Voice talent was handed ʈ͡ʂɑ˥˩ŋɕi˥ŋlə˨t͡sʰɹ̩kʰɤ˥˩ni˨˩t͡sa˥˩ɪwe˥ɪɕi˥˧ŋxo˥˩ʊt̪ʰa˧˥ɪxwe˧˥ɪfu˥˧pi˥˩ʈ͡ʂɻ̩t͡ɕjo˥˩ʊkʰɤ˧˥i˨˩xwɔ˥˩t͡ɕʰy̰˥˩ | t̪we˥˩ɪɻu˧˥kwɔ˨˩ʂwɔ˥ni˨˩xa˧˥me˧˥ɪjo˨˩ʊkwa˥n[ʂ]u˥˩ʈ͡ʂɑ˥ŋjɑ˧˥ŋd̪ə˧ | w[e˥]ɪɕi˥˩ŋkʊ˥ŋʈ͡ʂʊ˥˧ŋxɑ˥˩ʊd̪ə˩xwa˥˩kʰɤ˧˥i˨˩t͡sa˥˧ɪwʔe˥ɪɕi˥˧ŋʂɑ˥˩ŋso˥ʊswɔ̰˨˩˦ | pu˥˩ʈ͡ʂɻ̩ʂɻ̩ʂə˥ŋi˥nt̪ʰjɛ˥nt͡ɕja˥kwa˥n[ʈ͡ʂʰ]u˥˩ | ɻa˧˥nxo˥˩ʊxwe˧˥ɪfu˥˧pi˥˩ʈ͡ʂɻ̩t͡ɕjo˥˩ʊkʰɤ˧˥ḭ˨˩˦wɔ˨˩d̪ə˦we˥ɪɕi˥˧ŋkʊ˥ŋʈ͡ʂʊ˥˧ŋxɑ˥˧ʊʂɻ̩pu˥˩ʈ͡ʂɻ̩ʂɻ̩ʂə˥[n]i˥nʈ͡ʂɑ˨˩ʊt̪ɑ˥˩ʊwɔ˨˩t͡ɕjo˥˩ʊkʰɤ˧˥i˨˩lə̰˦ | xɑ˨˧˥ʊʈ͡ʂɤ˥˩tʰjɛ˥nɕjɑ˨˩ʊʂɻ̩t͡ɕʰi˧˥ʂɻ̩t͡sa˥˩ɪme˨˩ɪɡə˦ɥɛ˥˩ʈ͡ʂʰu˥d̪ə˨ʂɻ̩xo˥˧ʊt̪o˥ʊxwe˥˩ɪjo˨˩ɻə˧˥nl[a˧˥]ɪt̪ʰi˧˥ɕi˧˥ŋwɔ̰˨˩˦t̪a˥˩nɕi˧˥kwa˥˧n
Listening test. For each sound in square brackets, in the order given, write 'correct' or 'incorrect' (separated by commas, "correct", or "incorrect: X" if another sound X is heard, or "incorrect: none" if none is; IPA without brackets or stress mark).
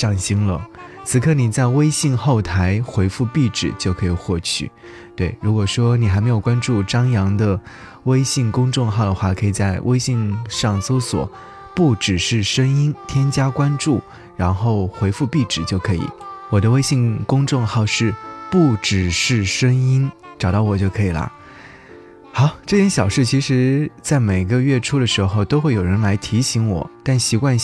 incorrect: ʈ͡ʂ, correct, incorrect: ʈ͡ʂ, incorrect: ŋ, correct